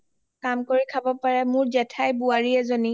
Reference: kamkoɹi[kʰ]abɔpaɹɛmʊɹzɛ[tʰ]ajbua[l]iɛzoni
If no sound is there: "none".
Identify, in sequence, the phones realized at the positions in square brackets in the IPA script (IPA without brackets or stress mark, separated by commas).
kʰ, tʰ, ɹ